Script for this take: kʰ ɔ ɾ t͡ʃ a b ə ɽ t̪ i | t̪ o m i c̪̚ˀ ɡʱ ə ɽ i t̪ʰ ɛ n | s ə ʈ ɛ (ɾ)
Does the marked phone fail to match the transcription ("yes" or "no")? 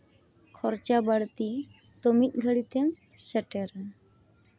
no